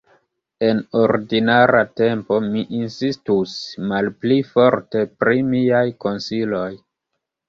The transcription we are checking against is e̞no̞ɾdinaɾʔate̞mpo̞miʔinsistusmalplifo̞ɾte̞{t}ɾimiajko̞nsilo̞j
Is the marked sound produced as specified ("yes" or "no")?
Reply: no